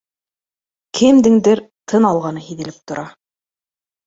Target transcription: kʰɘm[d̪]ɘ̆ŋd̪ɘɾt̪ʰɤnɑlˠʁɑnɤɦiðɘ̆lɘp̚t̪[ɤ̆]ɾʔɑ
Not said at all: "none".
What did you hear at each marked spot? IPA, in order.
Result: d̪, ŏ

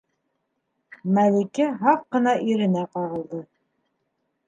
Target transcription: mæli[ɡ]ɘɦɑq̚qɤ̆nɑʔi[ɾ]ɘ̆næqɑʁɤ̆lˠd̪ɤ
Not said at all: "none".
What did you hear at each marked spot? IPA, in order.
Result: k, ɾ

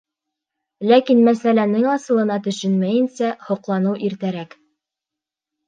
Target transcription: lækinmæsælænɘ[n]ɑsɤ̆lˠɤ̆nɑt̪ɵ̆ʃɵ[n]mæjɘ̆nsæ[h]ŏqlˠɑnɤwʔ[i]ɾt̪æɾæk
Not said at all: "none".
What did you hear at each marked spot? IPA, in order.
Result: ŋ, n, h, i

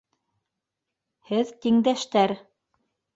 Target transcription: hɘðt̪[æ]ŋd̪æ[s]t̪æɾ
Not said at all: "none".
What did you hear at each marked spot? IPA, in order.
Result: i, ʃ

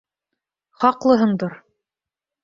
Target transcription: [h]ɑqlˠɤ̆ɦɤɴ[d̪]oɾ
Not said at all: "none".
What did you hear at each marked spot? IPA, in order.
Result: χ, d̪

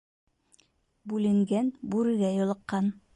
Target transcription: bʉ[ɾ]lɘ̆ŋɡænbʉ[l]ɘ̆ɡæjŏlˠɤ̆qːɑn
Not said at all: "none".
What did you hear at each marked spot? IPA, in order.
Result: none, ɾ

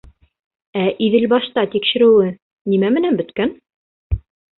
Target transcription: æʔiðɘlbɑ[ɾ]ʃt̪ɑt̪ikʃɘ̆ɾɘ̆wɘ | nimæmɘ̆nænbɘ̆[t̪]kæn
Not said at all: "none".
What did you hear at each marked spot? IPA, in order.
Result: none, t̪

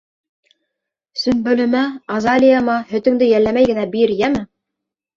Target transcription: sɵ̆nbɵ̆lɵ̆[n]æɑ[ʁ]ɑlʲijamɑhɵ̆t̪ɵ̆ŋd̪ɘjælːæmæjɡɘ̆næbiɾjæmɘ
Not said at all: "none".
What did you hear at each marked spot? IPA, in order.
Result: m, z

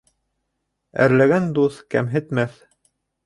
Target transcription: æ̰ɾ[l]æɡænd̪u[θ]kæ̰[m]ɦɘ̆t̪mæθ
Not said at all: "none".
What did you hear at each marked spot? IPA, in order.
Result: l, θ, m

